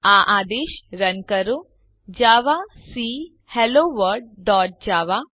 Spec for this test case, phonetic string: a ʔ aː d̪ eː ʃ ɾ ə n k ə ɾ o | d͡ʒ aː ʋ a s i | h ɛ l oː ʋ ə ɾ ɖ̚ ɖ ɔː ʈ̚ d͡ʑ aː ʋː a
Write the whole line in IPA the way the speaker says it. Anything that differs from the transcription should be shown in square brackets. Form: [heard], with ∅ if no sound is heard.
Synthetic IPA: a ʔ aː d̪ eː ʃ ɾ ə n k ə ɾ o | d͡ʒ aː ʋ a s i | h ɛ l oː ʋ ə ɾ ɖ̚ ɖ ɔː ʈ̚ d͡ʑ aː [ʋ] a